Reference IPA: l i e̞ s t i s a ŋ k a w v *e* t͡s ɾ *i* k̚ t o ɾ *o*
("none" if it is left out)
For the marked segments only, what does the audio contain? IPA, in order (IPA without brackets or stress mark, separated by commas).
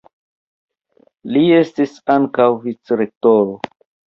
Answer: i, e, o